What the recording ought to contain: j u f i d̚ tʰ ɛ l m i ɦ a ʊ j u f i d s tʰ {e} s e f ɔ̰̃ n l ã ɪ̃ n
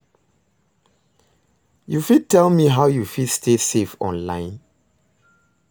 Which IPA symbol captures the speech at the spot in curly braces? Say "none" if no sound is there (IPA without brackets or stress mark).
e